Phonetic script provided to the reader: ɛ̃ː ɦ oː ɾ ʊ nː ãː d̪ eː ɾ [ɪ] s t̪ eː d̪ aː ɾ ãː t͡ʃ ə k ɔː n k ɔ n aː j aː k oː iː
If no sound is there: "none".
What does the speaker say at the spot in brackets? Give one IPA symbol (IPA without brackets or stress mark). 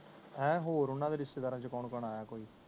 ɪ